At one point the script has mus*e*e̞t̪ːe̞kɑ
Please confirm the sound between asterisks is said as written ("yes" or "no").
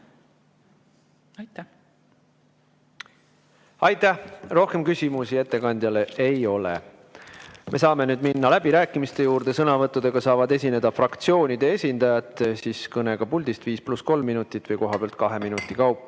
no